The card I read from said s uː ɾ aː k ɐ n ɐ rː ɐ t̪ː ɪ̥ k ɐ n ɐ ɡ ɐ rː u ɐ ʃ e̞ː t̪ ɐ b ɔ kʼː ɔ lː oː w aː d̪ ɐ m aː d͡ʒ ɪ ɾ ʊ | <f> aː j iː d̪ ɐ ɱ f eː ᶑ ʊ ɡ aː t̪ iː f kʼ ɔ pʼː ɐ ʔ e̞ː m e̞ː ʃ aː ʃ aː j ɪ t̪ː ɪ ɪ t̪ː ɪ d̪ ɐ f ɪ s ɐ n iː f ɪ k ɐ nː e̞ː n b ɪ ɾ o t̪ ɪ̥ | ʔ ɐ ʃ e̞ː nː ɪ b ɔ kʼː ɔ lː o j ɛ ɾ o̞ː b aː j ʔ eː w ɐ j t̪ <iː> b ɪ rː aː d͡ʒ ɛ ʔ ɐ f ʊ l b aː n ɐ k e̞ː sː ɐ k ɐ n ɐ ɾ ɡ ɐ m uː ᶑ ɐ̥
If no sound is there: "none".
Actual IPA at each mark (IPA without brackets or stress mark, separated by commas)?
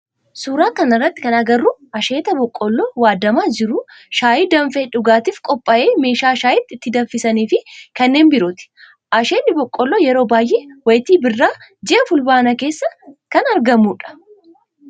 ʃ, iː